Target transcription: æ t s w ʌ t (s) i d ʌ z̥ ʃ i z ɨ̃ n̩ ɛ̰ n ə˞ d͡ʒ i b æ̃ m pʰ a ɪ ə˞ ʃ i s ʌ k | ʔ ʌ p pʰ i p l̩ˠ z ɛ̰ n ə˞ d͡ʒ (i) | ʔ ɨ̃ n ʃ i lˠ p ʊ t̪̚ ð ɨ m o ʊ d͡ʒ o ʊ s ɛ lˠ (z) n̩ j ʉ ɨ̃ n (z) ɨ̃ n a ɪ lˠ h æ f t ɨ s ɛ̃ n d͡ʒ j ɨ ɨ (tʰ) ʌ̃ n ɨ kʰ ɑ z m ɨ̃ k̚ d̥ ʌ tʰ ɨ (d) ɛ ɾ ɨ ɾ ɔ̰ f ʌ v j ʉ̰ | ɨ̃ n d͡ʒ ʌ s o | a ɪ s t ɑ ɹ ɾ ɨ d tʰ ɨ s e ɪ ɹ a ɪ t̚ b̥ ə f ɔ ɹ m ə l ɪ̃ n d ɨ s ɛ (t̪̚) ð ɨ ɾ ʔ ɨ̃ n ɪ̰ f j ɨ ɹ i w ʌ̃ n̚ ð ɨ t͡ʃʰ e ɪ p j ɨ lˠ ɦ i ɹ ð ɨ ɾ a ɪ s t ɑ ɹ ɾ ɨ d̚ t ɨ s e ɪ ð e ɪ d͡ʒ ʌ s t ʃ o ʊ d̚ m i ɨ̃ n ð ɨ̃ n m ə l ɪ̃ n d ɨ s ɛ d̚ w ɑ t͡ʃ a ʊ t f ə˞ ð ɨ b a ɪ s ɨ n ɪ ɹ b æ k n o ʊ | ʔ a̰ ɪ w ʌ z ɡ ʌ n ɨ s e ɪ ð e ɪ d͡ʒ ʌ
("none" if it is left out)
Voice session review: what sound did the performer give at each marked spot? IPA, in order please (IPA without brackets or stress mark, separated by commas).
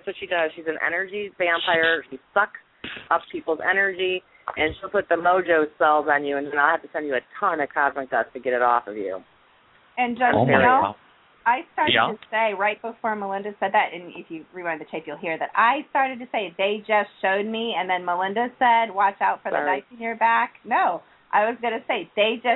ʃ, i, z, ð, tʰ, ɡ, d̪̚